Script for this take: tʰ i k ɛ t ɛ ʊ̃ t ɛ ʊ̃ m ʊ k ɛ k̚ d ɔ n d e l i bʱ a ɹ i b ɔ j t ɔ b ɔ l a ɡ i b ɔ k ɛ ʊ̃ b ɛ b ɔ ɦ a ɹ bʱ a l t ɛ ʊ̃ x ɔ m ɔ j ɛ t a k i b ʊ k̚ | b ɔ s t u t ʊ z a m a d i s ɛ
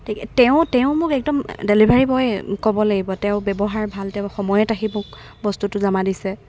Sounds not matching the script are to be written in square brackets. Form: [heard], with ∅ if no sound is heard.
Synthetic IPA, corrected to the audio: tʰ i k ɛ t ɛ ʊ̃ t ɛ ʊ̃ m ʊ k ɛ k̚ d ɔ [m] d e l i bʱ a ɹ i b ɔ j [k] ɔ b ɔ l a ɡ i b ɔ [t] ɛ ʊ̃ b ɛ b ɔ ɦ a ɹ bʱ a l t ɛ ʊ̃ x ɔ m ɔ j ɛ t a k i [m] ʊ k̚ | b ɔ s t u t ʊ z a m a d i s ɛ

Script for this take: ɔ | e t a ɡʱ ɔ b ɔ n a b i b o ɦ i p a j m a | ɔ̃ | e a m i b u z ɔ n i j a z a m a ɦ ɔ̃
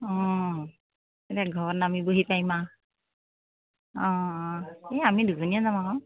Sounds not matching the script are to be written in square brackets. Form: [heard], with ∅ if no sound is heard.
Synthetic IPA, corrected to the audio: ɔ | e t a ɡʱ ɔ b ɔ n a [m] i b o ɦ i p a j m a | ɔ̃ | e a m i [d] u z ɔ n i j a z a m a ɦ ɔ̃

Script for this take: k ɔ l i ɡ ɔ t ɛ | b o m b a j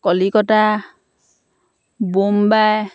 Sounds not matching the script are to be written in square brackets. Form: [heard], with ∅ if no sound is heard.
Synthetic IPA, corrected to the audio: k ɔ l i [k] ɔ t [a] | b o m b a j

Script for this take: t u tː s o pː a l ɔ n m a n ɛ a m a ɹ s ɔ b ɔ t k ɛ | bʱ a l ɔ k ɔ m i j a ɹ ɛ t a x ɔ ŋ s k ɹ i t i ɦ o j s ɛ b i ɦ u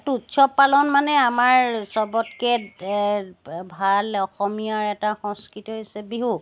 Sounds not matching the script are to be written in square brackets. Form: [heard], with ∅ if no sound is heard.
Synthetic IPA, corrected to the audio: t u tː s [ɔ] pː a l ɔ n m a n ɛ a m a ɹ s ɔ b ɔ t k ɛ | bʱ a l ɔ [x] ɔ m i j a ɹ ɛ t a x ɔ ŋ s k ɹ i t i ɦ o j s ɛ b i ɦ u

